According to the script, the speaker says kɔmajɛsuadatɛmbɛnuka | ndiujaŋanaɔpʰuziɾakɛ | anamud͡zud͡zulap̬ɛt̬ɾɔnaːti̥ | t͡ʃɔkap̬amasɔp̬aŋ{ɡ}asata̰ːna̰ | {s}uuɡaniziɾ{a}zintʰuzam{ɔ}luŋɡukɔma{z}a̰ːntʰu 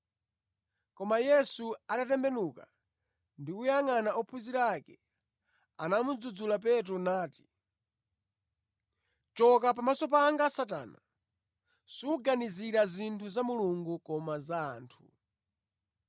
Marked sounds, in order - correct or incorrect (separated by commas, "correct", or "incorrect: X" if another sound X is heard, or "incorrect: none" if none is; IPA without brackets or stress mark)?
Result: correct, correct, correct, incorrect: u, correct